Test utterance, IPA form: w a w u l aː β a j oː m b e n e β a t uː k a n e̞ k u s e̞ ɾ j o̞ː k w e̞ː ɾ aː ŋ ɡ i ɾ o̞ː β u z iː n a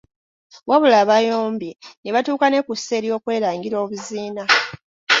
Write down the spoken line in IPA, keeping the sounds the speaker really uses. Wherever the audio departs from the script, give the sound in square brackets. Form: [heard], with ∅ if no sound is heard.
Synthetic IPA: w a [β] u l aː β a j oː m b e n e β a t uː k a n e̞ k u s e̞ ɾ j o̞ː k w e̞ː ɾ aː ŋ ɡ i ɾ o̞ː β u z iː n a